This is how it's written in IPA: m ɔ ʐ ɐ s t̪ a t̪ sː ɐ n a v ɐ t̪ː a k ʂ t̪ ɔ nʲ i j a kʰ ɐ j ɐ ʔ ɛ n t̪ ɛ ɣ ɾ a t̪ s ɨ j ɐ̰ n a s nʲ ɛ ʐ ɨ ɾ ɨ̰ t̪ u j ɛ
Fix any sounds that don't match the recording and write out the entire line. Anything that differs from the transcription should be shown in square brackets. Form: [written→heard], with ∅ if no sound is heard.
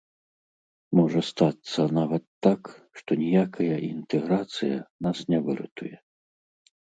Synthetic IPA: m ɔ ʐ ɐ s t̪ a t̪ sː ɐ n a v ɐ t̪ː a k ʂ t̪ ɔ nʲ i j a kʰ ɐ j ɐ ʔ [ɛ→i] n t̪ ɛ ɣ ɾ a t̪ s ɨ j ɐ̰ n a s nʲ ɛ [ʐ→v] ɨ ɾ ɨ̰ t̪ u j ɛ

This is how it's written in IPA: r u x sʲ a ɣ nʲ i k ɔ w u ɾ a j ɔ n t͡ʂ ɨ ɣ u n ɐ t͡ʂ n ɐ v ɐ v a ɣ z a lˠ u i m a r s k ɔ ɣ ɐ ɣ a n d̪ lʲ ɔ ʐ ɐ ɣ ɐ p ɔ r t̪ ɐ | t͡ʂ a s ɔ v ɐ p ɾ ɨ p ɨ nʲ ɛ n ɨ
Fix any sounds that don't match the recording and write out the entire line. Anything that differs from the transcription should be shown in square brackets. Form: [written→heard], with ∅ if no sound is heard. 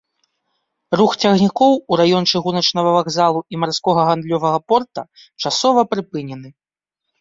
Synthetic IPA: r u x [sʲ→t͡sʲ] a ɣ nʲ i k ɔ w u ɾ a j ɔ n t͡ʂ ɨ ɣ u n ɐ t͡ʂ n ɐ v ɐ v a ɣ z a lˠ u i m a r s k ɔ ɣ ɐ ɣ a n d̪ lʲ ɔ [ʐ→v] ɐ ɣ ɐ p ɔ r t̪ ɐ | t͡ʂ a s ɔ v ɐ p ɾ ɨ p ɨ nʲ ɛ n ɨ

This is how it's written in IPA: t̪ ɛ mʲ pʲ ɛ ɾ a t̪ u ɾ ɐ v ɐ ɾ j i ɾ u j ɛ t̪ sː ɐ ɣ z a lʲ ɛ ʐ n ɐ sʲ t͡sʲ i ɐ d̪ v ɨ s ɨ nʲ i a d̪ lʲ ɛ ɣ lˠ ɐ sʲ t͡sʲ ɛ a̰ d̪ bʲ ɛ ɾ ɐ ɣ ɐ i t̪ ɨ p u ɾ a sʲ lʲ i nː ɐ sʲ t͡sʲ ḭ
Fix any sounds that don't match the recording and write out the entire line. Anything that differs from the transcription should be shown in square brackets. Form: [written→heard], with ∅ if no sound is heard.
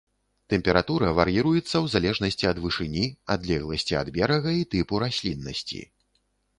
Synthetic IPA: t̪ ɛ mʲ pʲ ɛ ɾ a t̪ u ɾ ɐ v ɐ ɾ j i ɾ u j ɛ t̪ sː ɐ [ɣ→w] z a lʲ ɛ ʐ n ɐ sʲ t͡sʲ i ɐ d̪ v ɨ [s→ʂ] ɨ nʲ i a d̪ lʲ ɛ ɣ lˠ ɐ sʲ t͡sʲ [ɛ→i] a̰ d̪ bʲ ɛ ɾ ɐ ɣ ɐ i t̪ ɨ p u ɾ a sʲ lʲ i nː ɐ sʲ t͡sʲ ḭ

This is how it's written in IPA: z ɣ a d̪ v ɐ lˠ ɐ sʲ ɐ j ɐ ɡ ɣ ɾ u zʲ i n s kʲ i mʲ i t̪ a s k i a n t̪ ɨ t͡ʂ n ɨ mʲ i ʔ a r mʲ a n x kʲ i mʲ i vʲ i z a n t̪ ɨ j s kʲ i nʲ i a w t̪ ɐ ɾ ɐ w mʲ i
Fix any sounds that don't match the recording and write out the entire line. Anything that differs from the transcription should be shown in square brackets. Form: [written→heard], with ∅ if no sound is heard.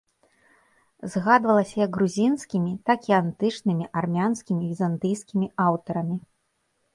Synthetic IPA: z ɣ a d̪ v ɐ lˠ ɐ sʲ ɐ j ɐ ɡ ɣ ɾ u zʲ i n s kʲ i mʲ i t̪ a [s→∅] k i a n t̪ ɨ t͡ʂ n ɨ mʲ i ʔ a r mʲ a n [x→s] kʲ i mʲ i vʲ i z a n t̪ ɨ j s kʲ i [nʲ→mʲ] i a w t̪ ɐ ɾ ɐ [w→∅] mʲ i

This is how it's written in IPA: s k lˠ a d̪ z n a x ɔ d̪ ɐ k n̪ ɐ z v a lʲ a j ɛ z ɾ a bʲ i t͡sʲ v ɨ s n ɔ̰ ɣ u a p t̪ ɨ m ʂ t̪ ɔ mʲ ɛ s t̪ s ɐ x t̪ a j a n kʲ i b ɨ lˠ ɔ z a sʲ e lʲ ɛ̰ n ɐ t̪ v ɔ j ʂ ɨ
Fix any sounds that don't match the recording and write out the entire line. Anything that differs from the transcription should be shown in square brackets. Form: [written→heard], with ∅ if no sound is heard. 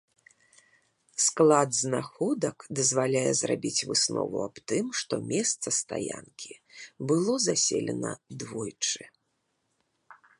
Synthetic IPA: s k lˠ a d̪ z n a x ɔ d̪ ɐ k [n̪→d̪] ɐ z v a lʲ a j ɛ z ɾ a bʲ i t͡sʲ v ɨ s n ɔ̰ [ɣ→v] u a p t̪ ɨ m ʂ t̪ ɔ mʲ ɛ s t̪ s ɐ [x→s] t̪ a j a n kʲ i b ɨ lˠ ɔ z a sʲ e lʲ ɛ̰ n ɐ [t̪→d̪] v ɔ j [ʂ→t͡ʂ] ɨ

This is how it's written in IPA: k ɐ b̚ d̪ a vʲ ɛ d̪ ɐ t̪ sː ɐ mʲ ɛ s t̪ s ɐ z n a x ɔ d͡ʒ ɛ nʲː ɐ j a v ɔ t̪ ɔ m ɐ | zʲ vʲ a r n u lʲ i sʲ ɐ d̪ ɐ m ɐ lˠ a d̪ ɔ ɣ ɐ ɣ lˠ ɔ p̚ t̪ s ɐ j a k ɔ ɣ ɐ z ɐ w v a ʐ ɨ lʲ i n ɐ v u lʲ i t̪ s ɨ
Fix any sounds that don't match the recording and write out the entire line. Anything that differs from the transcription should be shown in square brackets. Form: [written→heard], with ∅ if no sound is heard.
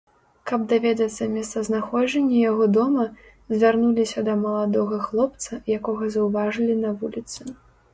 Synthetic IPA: k ɐ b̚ d̪ a vʲ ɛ d̪ ɐ t̪ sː ɐ mʲ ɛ s t̪ s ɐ z n a x ɔ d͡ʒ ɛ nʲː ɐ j a [v→ɣ] ɔ [t̪→d̪] ɔ m ɐ | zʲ vʲ a r n u lʲ i sʲ ɐ d̪ ɐ m ɐ lˠ a d̪ ɔ ɣ ɐ [ɣ→x] lˠ ɔ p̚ t̪ s ɐ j a k ɔ ɣ ɐ z ɐ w v a ʐ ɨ lʲ i n ɐ v u lʲ i t̪ s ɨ

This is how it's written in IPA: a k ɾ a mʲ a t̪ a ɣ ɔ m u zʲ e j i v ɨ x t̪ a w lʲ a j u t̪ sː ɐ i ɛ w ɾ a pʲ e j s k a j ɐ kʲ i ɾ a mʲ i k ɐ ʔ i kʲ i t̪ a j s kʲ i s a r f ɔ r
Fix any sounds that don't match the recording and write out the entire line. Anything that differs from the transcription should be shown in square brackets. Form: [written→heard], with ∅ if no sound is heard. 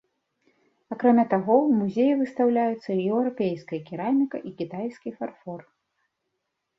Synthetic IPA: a k ɾ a mʲ a t̪ a ɣ ɔ m u zʲ e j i v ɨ [x→s] t̪ a w lʲ a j u t̪ sː ɐ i ɛ w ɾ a pʲ e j s k [a→ɐ] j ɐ kʲ i ɾ a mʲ i k ɐ ʔ i kʲ i t̪ a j s kʲ i [s→f] a r f ɔ r

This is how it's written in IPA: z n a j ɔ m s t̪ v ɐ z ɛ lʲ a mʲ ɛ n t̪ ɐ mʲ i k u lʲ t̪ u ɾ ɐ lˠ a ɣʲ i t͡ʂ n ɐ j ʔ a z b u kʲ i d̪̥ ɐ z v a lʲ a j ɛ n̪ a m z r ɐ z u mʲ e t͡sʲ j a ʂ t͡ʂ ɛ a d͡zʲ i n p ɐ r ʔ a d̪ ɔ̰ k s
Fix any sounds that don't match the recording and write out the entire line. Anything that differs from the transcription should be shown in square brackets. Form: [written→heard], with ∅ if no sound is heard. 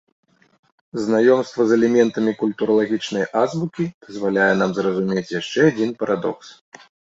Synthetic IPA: z n a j ɔ m s t̪ v ɐ z ɛ lʲ [a→ɛ] mʲ ɛ n t̪ ɐ mʲ i k u lʲ t̪ u ɾ ɐ lˠ a ɣʲ i t͡ʂ n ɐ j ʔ a z b u kʲ i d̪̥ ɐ z v a lʲ a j ɛ n̪ a m z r ɐ z u mʲ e t͡sʲ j a ʂ t͡ʂ ɛ a d͡zʲ i n p ɐ [r→ɾ] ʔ a d̪ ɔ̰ k s

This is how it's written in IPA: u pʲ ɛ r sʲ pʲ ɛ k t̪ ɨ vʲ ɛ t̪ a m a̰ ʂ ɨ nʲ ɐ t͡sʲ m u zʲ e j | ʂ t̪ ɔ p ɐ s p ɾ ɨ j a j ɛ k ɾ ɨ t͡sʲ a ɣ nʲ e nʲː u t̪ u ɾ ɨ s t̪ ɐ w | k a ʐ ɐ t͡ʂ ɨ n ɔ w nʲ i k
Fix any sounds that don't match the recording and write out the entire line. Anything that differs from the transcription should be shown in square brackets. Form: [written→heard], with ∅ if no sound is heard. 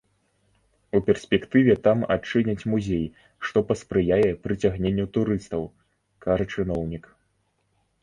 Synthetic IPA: u pʲ ɛ r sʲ pʲ ɛ k t̪ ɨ vʲ ɛ t̪ a m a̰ [ʂ→t͡ʂ] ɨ nʲ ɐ t͡sʲ m u zʲ e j | ʂ t̪ ɔ p ɐ s p ɾ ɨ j a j ɛ [k→p] ɾ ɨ t͡sʲ a ɣ nʲ e nʲː u t̪ u ɾ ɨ s t̪ ɐ w | k a ʐ ɐ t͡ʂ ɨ n ɔ w nʲ i k

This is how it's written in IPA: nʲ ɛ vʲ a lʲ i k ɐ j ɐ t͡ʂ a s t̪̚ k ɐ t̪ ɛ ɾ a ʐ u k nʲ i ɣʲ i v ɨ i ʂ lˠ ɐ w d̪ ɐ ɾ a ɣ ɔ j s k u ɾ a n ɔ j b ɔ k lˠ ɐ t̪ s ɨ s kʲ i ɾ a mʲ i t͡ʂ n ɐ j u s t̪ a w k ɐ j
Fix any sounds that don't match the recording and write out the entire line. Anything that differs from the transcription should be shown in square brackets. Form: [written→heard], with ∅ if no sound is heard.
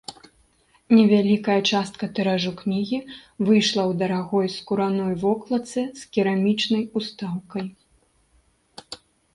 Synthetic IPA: nʲ ɛ vʲ a lʲ i k ɐ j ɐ t͡ʂ a s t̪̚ k ɐ t̪ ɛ ɾ a ʐ u k nʲ i ɣʲ i v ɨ [i→j] ʂ lˠ ɐ w d̪ ɐ ɾ a ɣ ɔ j s k u ɾ a n ɔ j [b→v] ɔ k lˠ ɐ t̪ s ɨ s kʲ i ɾ a mʲ i t͡ʂ n ɐ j u s t̪ a w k ɐ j

